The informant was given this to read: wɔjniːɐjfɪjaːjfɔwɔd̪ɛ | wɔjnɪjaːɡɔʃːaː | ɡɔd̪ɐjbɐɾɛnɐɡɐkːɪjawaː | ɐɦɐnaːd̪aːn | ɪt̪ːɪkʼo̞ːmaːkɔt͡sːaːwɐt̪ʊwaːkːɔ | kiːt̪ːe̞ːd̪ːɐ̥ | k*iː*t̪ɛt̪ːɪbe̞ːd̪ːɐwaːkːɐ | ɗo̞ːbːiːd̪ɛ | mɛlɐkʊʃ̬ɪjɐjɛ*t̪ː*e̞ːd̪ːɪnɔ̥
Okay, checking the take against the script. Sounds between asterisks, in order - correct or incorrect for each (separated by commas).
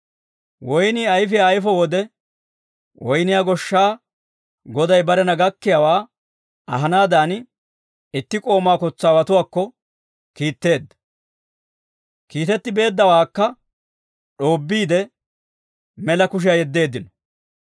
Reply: correct, incorrect